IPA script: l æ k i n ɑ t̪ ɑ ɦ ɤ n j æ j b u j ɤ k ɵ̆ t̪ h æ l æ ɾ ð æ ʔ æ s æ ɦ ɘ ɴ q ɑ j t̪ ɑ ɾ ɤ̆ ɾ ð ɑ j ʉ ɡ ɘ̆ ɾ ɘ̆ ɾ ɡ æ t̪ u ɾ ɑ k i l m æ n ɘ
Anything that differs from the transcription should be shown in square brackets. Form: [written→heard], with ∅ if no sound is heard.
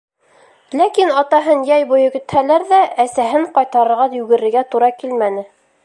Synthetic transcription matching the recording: l æ k i n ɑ t̪ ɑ ɦ ɤ n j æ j b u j ɤ k ɵ̆ t̪ h æ l æ ɾ ð æ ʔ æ s æ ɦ ɘ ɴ q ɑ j t̪ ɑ ɾ ɤ̆ ɾ [ð→ʁ] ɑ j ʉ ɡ ɘ̆ ɾ ɘ̆ ɾ ɡ æ t̪ u ɾ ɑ k i l m æ n ɘ